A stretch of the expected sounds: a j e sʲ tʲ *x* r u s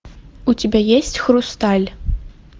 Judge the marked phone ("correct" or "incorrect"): correct